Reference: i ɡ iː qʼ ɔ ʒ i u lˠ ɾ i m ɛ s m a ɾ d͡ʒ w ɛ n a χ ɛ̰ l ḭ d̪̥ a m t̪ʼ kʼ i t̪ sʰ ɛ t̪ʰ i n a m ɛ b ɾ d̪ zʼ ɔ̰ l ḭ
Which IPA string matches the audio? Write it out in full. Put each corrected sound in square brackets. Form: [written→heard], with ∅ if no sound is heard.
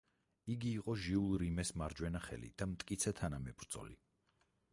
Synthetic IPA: i ɡ iː qʼ ɔ ʒ i u lˠ ɾ i m ɛ s m a ɾ d͡ʒ w ɛ n a χ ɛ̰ l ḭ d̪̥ a m t̪ʼ kʼ i t̪ sʰ ɛ t̪ʰ [i→a] n a m ɛ b ɾ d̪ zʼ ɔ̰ l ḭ